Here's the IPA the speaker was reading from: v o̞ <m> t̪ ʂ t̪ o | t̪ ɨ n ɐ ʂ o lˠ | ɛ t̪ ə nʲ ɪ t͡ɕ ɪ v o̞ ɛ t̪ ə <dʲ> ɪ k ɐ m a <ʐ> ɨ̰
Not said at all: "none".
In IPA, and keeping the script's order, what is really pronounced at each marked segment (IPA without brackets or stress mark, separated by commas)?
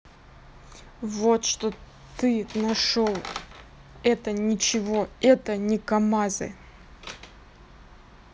none, nʲ, z